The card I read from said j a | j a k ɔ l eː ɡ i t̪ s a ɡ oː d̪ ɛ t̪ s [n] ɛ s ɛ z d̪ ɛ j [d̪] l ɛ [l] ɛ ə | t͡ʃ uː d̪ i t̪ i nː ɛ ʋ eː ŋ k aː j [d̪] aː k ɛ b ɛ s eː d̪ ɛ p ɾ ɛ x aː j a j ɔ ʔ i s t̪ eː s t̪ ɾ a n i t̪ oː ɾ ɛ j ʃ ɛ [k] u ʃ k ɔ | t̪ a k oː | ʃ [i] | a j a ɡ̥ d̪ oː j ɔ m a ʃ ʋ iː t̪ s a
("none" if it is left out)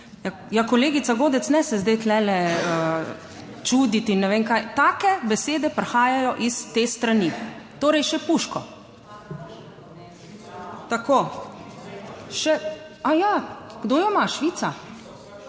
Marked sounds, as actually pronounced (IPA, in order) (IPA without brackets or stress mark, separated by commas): n, t̪, l, t̪, p, ɛ